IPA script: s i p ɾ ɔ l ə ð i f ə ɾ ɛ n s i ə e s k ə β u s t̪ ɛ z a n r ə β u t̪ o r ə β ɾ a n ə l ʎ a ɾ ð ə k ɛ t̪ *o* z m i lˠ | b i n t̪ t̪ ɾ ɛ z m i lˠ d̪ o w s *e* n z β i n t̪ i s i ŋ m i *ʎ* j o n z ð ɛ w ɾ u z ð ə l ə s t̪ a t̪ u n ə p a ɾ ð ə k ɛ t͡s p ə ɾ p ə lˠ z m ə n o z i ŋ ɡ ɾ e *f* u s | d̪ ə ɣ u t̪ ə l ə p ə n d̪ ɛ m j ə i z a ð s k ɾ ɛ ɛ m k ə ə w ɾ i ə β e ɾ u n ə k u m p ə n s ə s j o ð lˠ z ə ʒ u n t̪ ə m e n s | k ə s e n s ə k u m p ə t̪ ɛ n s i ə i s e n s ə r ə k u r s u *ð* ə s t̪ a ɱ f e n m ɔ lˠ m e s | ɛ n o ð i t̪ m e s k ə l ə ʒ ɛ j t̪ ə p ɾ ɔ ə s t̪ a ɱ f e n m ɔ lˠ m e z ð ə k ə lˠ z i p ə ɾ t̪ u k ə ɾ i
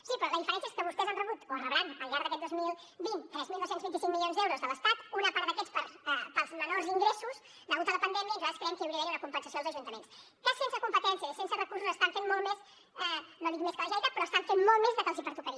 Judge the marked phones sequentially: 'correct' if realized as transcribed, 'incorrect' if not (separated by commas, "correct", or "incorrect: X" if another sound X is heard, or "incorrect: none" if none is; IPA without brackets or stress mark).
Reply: correct, correct, incorrect: l, incorrect: s, incorrect: z